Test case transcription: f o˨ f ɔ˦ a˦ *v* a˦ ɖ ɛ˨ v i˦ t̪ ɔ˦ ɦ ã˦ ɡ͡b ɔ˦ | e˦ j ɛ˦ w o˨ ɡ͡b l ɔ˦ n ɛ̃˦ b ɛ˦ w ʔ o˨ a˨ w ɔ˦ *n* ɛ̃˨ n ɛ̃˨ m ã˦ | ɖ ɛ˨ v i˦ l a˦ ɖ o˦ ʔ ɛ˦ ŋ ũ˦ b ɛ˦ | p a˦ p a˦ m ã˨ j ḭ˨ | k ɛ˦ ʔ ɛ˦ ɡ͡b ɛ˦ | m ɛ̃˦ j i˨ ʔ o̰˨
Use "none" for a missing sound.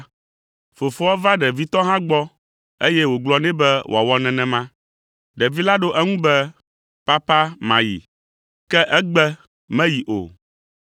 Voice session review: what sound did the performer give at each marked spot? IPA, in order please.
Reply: v, n

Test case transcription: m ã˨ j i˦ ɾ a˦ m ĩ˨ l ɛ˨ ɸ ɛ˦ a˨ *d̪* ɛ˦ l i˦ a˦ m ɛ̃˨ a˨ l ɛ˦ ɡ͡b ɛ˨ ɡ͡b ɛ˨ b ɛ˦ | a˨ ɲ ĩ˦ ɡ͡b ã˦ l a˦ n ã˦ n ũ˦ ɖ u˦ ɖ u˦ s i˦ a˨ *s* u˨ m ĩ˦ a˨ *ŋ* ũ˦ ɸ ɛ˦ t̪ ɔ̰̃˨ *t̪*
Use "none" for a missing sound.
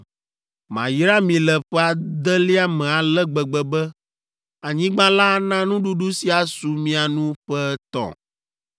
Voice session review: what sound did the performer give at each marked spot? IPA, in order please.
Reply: d̪, s, n, none

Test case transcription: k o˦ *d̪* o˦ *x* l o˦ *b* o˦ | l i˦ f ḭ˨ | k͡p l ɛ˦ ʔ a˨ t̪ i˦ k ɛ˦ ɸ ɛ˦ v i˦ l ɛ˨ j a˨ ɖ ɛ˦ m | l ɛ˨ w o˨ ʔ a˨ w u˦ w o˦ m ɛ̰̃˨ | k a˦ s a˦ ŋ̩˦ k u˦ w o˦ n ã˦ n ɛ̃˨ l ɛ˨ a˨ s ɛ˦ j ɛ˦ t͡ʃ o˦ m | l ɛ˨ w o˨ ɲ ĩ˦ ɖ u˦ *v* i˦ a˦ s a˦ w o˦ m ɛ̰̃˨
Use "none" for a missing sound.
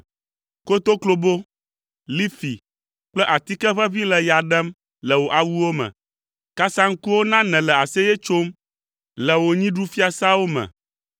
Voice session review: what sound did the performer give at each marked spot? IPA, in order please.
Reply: t̪, k, b, f

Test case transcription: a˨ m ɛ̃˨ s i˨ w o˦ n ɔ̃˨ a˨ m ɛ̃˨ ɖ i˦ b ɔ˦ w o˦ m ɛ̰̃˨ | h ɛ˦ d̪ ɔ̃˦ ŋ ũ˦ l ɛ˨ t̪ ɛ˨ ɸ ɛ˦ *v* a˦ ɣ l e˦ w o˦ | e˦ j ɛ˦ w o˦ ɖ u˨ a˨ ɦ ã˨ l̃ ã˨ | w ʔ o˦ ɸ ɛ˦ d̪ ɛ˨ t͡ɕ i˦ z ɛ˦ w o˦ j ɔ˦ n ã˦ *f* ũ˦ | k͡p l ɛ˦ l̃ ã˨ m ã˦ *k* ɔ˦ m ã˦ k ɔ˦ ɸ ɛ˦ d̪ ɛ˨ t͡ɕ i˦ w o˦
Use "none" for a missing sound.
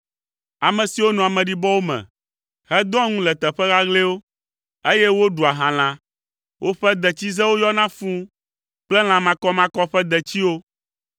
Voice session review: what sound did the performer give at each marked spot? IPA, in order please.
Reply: ɣ, f, k

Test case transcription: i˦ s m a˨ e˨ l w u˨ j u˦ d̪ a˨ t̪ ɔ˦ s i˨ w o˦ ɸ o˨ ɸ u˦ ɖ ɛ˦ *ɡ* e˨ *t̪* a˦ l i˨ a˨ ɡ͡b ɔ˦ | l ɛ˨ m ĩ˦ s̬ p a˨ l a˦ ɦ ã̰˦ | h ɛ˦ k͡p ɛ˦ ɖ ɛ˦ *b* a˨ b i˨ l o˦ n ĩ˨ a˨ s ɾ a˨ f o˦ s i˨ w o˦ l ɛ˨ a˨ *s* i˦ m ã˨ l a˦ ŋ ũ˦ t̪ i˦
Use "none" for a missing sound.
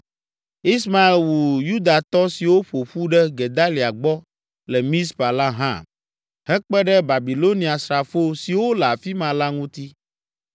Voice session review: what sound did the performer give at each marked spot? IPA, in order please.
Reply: ɡ, d̪, b, f

